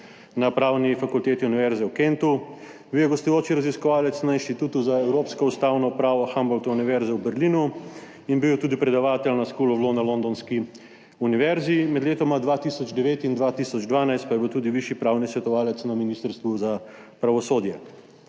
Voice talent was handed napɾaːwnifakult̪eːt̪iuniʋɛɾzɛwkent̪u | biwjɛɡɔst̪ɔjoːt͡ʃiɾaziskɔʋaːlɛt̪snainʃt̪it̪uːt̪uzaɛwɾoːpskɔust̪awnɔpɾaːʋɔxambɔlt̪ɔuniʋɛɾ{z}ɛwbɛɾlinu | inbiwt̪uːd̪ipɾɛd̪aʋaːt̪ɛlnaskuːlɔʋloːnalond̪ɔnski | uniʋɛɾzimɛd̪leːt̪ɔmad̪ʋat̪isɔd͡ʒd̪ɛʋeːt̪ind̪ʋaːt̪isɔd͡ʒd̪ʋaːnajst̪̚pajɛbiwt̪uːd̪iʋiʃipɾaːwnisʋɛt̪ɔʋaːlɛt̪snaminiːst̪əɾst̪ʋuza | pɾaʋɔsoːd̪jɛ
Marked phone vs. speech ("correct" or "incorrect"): correct